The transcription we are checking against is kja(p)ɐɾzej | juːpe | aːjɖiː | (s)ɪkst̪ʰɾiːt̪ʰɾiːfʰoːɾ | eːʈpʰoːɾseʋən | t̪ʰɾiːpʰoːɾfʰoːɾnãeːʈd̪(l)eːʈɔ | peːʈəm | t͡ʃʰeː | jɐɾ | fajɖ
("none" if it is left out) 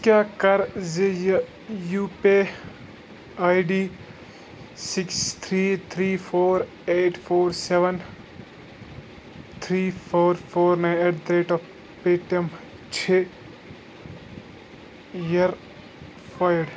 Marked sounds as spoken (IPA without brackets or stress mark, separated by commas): k, s, ɾ